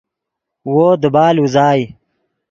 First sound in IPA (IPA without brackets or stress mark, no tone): w